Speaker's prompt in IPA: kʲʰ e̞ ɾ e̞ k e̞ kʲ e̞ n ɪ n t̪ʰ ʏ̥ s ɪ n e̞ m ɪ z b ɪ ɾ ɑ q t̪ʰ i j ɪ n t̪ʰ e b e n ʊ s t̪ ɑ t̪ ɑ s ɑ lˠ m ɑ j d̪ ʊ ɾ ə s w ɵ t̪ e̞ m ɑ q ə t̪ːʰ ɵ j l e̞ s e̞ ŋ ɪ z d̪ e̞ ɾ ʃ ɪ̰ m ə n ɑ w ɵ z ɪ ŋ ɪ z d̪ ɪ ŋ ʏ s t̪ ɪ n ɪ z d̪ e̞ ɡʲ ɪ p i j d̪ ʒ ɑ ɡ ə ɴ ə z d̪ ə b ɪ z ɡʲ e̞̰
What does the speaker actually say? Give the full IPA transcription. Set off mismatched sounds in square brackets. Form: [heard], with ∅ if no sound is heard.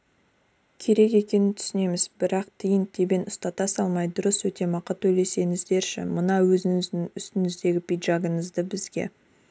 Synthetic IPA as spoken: kʲʰ e̞ ɾ e̞ k e̞ kʲ e̞ n ɪ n t̪ʰ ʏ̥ s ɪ n e̞ m ɪ z b ɪ ɾ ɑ q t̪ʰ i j ɪ n t̪ʰ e b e n ʊ s t̪ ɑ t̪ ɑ s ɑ lˠ m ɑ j d̪ ʊ ɾ ə s w ɵ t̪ e̞ m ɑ q ə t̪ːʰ ɵ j l e̞ s e̞ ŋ ɪ z d̪ e̞ ɾ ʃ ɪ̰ m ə n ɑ w ɵ z ɪ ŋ ɪ z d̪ ɪ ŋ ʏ s t̪ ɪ n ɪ z d̪ e̞ ɡʲ ɪ p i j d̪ ʒ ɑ ɡ ə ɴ ə z d̪ ə b ɪ z ɡʲ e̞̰

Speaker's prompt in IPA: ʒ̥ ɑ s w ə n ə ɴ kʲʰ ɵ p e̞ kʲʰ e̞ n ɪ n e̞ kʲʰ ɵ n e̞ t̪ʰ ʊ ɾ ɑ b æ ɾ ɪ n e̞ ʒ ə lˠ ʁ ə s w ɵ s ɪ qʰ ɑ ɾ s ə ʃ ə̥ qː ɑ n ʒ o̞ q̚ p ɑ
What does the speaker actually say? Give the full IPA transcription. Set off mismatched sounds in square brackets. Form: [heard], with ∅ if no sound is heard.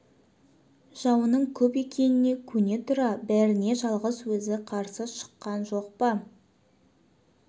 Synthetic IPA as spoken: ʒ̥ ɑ [∅] w ə n ə ɴ kʲʰ ɵ p e̞ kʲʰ e̞ n ɪ n e̞ kʲʰ ɵ n e̞ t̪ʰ ʊ ɾ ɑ b æ ɾ ɪ n e̞ ʒ [ɑ] lˠ ʁ ə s w ɵ [z] ɪ qʰ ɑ ɾ s ə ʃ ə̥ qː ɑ n ʒ o̞ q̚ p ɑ

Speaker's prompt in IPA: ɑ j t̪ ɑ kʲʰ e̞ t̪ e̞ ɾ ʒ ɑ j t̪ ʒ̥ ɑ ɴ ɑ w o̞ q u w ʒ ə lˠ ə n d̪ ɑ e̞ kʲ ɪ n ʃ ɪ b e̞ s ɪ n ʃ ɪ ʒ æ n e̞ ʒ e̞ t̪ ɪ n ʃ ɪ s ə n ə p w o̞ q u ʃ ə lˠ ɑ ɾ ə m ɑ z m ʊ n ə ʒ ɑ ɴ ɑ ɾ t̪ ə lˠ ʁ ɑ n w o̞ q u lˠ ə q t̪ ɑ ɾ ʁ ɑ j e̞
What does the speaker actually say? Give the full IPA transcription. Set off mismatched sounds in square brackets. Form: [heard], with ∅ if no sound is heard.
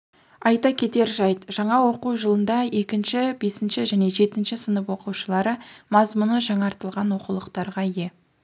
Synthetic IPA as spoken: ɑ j t̪ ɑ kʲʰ e̞ t̪ e̞ ɾ ʒ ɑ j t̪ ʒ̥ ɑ ɴ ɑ w o̞ q u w ʒ ə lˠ ə n d̪ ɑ e̞ kʲ ɪ n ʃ ɪ b e̞ s ɪ n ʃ ɪ ʒ æ n e̞ ʒ e̞ t̪ ɪ n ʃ ɪ s ə n ə p w o̞ q u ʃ ə lˠ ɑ ɾ ə m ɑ z m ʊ n ə ʒ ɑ ɴ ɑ ɾ t̪ ə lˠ ʁ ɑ n w o̞ q u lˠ ə q t̪ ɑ ɾ ʁ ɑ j e̞

